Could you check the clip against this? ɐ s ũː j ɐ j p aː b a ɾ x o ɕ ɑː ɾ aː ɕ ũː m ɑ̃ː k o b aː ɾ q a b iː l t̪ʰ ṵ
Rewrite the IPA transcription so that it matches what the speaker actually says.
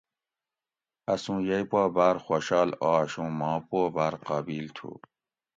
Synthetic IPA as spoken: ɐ s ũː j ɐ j p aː b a ɾ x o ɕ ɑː l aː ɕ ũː m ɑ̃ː p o b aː ɾ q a b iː l t̪ʰ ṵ